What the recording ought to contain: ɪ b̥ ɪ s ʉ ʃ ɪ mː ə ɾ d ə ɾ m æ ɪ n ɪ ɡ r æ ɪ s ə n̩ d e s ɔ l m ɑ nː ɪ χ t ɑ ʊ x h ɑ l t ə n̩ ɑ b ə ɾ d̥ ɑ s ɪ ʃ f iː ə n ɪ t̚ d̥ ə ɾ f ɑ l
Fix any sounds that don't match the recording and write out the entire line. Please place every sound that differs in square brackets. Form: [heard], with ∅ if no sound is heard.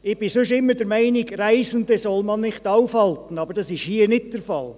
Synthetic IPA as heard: ɪ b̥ ɪ s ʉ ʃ ɪ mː ə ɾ d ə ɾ m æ ɪ n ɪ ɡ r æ ɪ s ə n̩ d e s ɔ l m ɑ nː ɪ χ t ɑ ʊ [f] h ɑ l t ə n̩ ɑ b ə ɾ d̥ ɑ s ɪ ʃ [h] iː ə n ɪ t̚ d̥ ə ɾ f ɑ l